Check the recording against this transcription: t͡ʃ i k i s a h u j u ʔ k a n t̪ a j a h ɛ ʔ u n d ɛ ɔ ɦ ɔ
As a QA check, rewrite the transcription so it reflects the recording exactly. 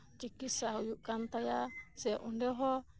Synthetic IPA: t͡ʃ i k i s a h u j u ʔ k a n t̪ a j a s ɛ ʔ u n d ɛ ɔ ɦ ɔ